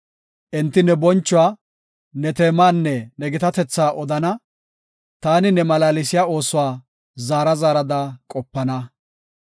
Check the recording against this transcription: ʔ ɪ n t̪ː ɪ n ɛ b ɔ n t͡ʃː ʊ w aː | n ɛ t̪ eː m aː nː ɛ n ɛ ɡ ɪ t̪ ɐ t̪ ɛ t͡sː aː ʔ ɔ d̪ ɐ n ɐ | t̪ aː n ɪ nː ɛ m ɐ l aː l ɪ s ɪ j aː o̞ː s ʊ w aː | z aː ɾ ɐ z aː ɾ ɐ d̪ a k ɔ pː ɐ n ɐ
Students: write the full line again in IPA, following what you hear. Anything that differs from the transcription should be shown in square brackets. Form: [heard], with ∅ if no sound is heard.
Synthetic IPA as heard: ʔ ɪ n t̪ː ɪ n ɛ b ɔ n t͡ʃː ʊ w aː | n ɛ t̪ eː m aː nː ɛ n ɛ ɡ ɪ t̪ ɐ t̪ ɛ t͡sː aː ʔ ɔ d̪ ɐ n ɐ | t̪ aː n ɪ [n] ɛ m ɐ l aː l ɪ s ɪ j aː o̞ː s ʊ w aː | z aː ɾ ɐ z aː ɾ ɐ d̪ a [kʼ] ɔ pː ɐ n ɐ